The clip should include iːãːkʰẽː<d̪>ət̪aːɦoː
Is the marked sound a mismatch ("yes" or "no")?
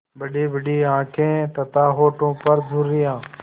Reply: yes